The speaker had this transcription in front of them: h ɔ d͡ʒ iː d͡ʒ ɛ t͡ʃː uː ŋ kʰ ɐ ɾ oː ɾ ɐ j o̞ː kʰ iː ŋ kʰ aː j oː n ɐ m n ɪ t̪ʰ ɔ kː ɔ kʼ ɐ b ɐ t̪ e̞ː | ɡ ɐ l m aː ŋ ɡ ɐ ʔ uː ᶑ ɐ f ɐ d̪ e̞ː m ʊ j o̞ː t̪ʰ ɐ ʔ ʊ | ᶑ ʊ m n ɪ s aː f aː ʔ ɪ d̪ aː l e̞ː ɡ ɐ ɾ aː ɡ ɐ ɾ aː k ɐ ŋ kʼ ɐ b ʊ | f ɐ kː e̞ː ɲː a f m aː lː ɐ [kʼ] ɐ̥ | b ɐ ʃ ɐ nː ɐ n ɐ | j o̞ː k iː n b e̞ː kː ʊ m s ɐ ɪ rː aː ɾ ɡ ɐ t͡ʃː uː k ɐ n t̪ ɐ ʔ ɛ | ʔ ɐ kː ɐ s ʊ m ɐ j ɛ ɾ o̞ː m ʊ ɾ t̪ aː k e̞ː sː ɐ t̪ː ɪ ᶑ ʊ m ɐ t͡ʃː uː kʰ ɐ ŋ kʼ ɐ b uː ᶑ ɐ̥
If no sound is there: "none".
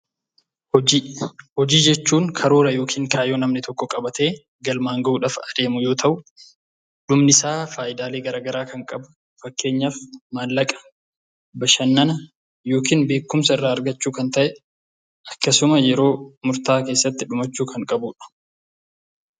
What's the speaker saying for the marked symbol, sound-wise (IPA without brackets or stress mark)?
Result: kʼ